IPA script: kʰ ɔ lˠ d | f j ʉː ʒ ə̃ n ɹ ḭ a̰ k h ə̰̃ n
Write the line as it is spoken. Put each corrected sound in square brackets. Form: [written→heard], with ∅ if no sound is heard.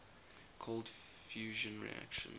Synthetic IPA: kʰ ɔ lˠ d | f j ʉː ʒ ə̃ n ɹ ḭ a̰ k [h→ʃ] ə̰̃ n